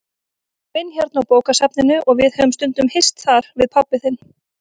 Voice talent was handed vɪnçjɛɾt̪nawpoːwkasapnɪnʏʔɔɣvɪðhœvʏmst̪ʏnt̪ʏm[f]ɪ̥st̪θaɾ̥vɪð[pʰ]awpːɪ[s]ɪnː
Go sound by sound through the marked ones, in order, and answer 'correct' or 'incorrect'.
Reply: incorrect, correct, incorrect

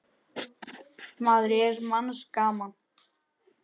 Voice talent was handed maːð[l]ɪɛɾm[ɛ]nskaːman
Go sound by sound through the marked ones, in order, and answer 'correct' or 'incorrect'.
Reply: incorrect, incorrect

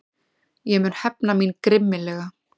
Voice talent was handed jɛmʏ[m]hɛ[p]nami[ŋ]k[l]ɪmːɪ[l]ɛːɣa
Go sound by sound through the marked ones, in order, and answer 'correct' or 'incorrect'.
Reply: incorrect, correct, incorrect, incorrect, correct

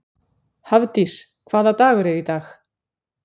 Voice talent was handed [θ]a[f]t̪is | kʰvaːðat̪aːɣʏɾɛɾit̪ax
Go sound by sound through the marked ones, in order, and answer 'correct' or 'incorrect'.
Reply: incorrect, incorrect

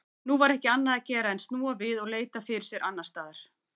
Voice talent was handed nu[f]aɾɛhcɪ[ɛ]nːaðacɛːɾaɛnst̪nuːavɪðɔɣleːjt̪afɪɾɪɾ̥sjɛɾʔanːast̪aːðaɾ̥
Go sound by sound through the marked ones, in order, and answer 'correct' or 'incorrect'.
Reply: incorrect, incorrect

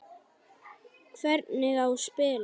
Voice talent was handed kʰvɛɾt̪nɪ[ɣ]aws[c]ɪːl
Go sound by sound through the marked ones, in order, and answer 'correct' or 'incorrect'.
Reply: correct, incorrect

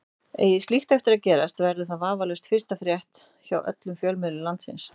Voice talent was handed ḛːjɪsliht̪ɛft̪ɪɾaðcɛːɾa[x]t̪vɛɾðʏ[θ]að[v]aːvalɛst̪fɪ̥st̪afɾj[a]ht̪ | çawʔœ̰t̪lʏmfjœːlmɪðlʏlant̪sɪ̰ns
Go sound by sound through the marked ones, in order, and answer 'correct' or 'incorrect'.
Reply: incorrect, correct, correct, incorrect

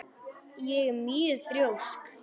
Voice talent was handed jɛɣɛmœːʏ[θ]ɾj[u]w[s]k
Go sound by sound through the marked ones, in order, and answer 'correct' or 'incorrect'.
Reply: correct, incorrect, correct

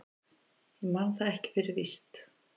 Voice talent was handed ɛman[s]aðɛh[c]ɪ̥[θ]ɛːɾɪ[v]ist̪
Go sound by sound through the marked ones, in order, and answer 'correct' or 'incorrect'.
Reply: incorrect, correct, incorrect, correct

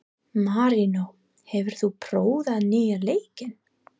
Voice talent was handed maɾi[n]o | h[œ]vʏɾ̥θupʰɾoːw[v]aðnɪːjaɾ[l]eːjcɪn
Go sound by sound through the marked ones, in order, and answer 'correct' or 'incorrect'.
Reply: correct, incorrect, incorrect, correct

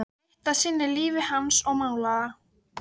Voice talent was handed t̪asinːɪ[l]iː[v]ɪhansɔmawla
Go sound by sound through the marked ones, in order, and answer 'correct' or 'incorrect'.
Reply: correct, correct

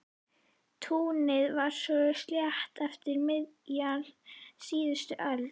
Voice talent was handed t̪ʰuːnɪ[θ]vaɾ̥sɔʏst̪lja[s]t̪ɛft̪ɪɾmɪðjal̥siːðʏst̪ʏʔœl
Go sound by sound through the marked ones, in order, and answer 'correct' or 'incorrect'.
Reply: incorrect, incorrect

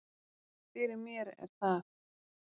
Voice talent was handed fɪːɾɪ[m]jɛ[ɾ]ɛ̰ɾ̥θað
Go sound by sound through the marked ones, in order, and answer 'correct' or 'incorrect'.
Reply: correct, correct

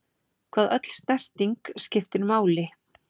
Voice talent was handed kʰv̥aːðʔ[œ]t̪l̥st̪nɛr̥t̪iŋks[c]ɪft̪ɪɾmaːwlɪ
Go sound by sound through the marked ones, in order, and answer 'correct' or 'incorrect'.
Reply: correct, correct

